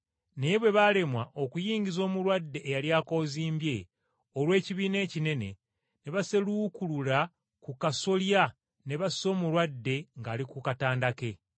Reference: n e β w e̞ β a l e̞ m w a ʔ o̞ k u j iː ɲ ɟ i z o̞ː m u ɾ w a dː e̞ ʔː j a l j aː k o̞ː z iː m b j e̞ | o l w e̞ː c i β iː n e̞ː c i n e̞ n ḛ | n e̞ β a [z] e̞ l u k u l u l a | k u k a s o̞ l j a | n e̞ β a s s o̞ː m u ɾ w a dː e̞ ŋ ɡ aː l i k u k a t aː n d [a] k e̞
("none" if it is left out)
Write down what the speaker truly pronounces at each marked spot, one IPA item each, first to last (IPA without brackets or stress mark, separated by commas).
s, a